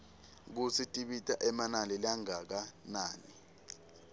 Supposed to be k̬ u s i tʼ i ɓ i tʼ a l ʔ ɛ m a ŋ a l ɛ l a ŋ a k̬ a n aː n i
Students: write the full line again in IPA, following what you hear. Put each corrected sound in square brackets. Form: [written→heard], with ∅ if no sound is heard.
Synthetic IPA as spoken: k̬ u s i tʼ i ɓ i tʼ a [l→∅] ʔ ɛ m a [ŋ→n] a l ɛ l a ŋ a k̬ a n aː n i